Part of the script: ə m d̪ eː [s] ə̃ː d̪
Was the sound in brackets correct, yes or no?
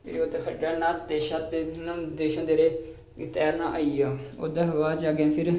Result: no